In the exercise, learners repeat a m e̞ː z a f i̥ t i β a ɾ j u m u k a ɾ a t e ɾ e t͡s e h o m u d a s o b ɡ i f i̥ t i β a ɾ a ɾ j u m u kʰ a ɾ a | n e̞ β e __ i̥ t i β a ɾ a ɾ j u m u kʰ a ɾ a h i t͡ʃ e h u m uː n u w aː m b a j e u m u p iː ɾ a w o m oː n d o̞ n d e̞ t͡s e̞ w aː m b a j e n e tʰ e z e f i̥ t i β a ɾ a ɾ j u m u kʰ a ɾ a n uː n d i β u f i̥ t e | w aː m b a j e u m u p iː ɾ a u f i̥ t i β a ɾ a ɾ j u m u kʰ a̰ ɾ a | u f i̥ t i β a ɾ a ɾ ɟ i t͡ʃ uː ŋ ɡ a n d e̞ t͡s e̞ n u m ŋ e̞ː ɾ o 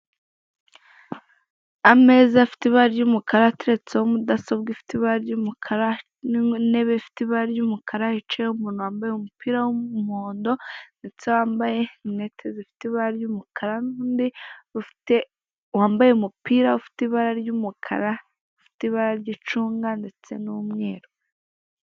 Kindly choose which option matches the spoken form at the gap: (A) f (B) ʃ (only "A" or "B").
A